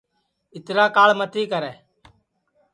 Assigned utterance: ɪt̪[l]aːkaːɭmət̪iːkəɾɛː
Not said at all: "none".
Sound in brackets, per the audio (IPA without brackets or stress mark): ɾ